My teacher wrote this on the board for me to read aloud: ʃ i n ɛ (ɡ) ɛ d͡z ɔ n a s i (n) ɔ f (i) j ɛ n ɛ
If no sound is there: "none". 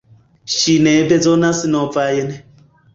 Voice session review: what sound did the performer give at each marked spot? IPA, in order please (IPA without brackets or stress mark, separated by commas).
b, n, a